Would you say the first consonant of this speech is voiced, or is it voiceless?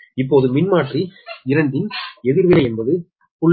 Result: voiceless